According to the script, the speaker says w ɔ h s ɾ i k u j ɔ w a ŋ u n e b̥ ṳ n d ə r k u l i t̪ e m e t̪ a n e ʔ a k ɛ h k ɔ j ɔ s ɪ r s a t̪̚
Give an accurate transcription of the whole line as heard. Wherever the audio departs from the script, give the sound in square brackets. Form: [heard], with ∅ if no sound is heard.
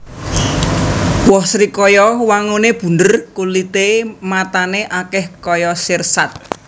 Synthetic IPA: w ɔ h s ɾ i k [ɔ] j ɔ w a ŋ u n e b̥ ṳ n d ə r k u l i t̪ e m [a] t̪ a n e ʔ a k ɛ h k ɔ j ɔ s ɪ r s a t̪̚